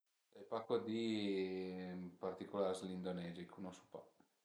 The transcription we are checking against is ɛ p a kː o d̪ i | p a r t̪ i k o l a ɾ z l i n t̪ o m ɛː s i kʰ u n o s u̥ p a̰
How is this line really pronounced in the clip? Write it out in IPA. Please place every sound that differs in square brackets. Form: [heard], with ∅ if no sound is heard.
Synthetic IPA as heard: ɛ p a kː o d̪ i | p a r t̪ i k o l a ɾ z l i n [d̪] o [n] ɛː [z] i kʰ u n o s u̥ p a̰